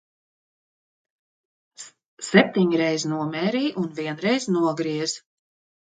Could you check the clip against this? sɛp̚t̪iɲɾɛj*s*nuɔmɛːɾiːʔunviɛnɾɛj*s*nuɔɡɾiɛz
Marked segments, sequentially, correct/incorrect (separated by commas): incorrect, incorrect